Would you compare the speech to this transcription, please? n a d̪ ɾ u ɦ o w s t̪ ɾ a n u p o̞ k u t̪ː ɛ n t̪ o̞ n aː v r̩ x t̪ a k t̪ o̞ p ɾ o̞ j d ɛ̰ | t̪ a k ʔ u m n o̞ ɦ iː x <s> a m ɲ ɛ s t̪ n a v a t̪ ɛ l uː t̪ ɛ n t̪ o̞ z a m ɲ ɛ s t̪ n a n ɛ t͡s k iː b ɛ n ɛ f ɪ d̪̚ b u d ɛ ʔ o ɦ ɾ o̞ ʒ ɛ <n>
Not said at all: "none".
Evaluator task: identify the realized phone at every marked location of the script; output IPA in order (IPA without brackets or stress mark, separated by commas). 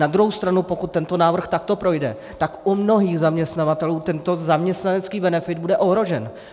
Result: z, n